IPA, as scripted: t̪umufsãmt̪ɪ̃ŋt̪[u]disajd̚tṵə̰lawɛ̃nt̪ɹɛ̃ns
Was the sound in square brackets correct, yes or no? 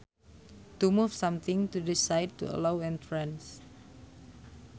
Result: yes